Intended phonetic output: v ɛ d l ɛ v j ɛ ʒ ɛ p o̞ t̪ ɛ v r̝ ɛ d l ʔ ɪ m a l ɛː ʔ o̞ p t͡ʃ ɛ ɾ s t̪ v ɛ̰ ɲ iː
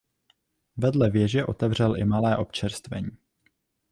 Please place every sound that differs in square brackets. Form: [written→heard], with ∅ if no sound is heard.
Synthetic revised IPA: v ɛ d l ɛ v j ɛ ʒ ɛ [p→ʔ] o̞ t̪ ɛ v r̝ ɛ [d→∅] l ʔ ɪ m a l ɛː ʔ o̞ p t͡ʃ ɛ ɾ s t̪ v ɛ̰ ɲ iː